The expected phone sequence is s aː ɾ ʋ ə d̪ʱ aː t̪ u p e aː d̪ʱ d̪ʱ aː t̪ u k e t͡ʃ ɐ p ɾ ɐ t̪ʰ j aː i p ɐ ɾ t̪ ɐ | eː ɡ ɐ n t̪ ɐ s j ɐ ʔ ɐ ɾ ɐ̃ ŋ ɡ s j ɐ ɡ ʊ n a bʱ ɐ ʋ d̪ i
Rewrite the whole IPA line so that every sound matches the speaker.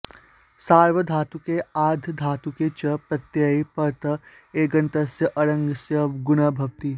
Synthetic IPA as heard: s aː ɾ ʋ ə d̪ʱ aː t̪ u k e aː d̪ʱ d̪ʱ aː t̪ u k e t͡ʃ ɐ p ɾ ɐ t̪ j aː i p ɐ ɾ t̪ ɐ | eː ɡ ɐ n t̪ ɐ s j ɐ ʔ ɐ ɾ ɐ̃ ŋ ɡ s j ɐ ɡ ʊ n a bʱ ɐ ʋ t̪ i